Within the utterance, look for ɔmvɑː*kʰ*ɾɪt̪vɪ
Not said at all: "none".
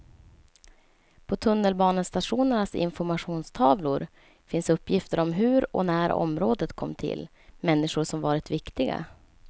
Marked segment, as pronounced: none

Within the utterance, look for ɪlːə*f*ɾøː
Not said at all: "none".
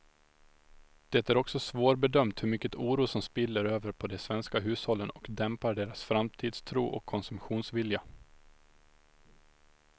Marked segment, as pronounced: none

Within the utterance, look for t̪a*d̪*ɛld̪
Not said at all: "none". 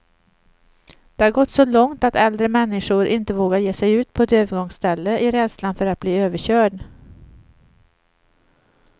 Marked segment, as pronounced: t̪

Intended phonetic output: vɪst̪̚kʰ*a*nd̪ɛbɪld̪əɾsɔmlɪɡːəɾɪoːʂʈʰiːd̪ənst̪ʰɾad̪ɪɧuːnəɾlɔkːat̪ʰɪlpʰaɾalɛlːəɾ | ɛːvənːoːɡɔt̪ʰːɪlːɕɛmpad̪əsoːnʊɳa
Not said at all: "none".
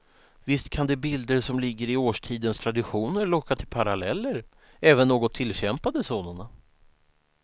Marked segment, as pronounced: a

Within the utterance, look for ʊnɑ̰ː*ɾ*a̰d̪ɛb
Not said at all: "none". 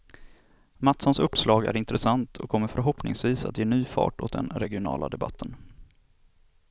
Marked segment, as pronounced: l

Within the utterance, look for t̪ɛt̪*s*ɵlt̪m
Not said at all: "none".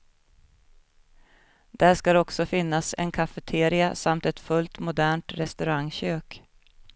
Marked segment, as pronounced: f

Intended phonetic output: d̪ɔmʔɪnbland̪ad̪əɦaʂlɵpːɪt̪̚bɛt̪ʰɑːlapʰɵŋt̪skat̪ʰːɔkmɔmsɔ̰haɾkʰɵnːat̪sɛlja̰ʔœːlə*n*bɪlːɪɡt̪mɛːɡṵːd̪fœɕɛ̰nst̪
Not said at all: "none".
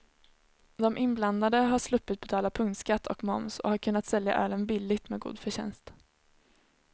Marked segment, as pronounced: n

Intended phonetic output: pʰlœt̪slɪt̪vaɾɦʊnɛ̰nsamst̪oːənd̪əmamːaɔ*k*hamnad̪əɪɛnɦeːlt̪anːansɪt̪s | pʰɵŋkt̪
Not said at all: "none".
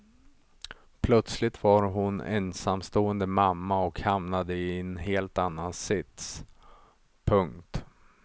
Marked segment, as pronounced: k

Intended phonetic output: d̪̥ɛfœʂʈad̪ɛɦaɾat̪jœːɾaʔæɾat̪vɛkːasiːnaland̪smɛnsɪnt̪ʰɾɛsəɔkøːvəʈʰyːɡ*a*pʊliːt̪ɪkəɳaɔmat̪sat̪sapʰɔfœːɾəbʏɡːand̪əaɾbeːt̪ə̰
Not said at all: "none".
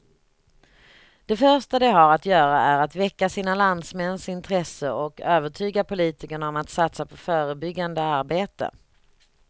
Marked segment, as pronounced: a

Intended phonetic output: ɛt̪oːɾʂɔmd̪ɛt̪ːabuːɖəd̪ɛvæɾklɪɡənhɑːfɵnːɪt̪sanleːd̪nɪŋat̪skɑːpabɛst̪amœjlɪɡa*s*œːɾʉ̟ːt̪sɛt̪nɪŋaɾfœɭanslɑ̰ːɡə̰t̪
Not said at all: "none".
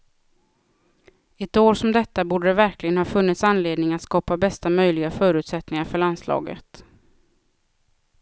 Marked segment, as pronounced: f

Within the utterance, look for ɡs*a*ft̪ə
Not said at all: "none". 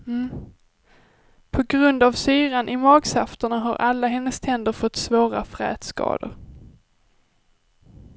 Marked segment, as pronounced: a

